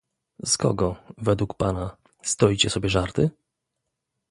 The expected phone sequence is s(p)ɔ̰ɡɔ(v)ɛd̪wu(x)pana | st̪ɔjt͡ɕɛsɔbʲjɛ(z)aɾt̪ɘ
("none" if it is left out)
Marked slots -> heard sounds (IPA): k, v, k, ʐ

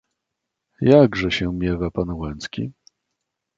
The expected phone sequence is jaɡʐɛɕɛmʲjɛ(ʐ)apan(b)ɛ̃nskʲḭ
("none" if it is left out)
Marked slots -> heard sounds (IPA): v, w

